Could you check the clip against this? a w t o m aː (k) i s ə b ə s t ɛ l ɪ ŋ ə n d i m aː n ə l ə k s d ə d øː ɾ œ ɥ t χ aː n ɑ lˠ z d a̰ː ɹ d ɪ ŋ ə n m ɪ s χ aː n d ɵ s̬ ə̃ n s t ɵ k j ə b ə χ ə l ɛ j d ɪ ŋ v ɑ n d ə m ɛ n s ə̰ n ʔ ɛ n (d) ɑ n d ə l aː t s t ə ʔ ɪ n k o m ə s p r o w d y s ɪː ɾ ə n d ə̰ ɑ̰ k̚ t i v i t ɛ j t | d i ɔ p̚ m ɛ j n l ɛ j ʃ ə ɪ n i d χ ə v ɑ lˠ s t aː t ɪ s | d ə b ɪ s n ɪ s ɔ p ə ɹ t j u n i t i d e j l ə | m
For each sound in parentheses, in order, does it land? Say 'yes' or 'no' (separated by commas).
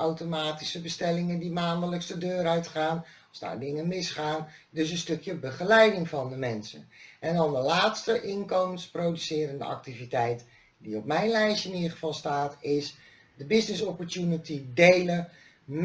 no, yes